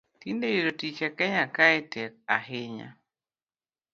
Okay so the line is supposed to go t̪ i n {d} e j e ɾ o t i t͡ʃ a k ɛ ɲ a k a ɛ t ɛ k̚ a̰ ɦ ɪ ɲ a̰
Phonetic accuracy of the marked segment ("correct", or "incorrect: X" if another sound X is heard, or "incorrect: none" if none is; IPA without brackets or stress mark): correct